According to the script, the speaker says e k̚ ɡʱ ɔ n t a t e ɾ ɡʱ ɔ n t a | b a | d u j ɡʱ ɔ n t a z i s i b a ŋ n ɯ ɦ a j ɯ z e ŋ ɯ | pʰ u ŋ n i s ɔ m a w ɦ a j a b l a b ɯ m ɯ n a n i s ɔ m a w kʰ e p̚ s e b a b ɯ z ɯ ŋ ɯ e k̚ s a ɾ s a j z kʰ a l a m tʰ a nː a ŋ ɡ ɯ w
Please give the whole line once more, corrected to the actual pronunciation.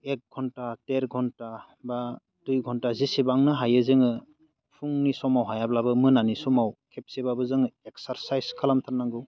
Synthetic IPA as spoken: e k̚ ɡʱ ɔ n t a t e ɾ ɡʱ ɔ n t a | b a | d u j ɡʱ ɔ n t a z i s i b a ŋ n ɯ ɦ a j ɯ z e ŋ ɯ | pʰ u ŋ n i s ɔ m a w ɦ a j a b l a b ɯ m ɯ n a n i s ɔ m a w kʰ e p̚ s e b a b ɯ z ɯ ŋ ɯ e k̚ s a ɾ s a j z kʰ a l a m tʰ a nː a ŋ ɡ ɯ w